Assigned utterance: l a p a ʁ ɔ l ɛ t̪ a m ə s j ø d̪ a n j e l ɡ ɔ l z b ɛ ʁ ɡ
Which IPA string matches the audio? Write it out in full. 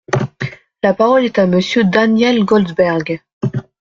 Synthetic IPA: l a p a ʁ ɔ l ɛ t̪ a m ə s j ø d̪ a n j ɛ l ɡ ɔ l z b ɛ ʁ ɡ